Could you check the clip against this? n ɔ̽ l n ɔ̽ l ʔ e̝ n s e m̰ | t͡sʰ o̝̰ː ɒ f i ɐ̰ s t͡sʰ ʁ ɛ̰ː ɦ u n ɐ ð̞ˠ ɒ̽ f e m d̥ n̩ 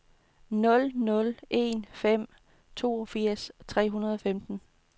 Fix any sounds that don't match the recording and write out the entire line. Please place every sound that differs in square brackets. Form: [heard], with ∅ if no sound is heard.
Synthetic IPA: n ɔ̽ l n ɔ̽ l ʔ e̝ n [f] e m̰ | t͡sʰ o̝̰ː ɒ f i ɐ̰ s t͡sʰ ʁ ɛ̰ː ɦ u n ɐ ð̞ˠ ɒ̽ f e m d̥ n̩

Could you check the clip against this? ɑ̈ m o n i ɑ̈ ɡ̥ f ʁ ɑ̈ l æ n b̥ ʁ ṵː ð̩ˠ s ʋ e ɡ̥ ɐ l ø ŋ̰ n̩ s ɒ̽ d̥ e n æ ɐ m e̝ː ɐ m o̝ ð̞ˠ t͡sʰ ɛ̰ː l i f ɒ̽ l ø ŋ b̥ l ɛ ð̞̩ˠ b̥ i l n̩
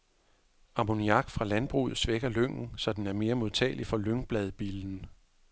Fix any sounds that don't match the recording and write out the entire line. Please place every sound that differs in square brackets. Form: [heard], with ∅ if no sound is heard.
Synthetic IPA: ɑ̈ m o n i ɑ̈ ɡ̥ f ʁ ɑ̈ l æ n b̥ ʁ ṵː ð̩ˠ s ʋ e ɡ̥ ɐ l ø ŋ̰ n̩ s ɒ̽ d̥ e n æ ɐ m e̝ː ɐ m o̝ ð̞ˠ t͡sʰ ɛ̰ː l i f ɒ̽ l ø ŋ b̥ l ɛ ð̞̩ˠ b̥ i l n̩

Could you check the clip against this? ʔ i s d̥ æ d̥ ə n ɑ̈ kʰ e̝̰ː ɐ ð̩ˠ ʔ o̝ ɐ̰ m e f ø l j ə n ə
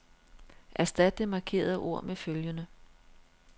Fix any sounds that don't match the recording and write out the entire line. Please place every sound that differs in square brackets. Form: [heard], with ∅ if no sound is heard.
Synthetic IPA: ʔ [æ] s d̥ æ d̥ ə [m] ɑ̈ kʰ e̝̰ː ɐ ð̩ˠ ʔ o̝ ɐ̰ m e f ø l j ə n ə

